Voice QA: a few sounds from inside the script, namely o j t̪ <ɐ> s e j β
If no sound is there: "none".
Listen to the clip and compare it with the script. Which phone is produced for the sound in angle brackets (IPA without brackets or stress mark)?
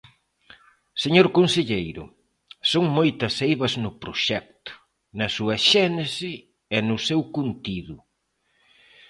ɐ